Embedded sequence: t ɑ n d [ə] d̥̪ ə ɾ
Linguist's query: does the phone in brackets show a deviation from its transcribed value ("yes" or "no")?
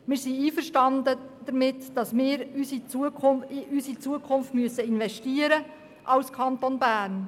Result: no